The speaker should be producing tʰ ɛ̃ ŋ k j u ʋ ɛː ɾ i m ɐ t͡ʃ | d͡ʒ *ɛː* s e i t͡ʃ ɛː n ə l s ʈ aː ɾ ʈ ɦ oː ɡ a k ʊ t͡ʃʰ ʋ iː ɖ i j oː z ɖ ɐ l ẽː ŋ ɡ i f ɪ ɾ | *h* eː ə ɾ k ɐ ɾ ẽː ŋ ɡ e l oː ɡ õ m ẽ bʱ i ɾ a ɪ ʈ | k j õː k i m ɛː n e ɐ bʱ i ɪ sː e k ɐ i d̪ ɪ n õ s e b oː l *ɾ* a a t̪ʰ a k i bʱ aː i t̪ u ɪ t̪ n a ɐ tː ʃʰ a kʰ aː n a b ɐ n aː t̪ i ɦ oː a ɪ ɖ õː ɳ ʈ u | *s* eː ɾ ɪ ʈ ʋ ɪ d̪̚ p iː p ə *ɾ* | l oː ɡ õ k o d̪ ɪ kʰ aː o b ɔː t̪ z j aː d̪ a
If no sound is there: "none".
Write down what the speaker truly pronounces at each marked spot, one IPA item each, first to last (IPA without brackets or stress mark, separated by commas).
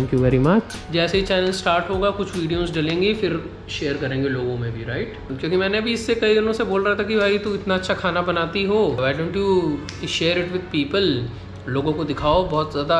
ɛː, ʃ, ɾ, ʃ, l